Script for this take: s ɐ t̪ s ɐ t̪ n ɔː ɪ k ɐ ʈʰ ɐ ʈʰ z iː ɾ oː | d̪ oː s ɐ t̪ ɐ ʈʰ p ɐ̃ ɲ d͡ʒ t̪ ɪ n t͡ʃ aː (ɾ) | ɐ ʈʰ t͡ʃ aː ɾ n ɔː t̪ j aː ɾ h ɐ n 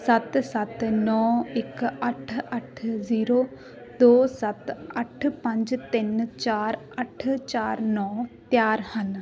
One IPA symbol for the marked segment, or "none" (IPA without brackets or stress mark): ɾ